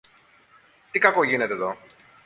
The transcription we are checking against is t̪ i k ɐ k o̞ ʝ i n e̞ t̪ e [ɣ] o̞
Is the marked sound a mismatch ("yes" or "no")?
yes